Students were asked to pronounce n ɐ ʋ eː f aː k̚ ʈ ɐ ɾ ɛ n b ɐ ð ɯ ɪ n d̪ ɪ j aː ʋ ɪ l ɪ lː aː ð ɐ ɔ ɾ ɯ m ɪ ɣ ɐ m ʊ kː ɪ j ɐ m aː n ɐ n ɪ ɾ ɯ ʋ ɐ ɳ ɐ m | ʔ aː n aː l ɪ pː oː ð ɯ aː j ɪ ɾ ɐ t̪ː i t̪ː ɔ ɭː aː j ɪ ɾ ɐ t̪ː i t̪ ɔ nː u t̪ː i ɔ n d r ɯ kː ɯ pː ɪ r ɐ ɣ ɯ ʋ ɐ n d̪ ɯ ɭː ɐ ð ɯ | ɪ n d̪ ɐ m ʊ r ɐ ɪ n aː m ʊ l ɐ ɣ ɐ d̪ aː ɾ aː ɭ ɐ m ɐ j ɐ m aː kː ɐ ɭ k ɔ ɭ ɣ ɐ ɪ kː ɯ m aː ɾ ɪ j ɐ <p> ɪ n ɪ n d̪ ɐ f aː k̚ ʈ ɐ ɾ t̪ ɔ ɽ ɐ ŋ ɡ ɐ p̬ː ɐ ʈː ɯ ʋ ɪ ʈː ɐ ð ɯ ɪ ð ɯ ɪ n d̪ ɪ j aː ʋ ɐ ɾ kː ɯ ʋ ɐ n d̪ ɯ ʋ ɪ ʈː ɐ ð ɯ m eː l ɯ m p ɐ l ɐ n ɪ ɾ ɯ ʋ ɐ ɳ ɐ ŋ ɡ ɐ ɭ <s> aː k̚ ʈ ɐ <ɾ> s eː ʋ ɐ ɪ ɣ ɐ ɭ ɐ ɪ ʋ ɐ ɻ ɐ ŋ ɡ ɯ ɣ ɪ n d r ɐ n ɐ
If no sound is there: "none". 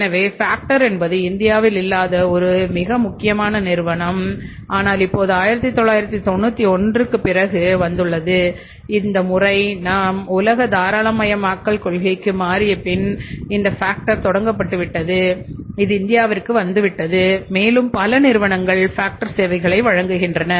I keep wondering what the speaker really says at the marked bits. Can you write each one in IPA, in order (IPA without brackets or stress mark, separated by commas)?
p, f, ɾ